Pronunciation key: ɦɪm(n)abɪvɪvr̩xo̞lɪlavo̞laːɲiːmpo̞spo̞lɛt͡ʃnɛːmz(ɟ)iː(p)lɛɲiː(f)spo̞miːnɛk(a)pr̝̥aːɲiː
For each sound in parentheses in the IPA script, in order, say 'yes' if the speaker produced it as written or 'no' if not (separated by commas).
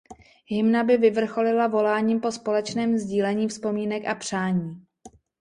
yes, yes, no, yes, yes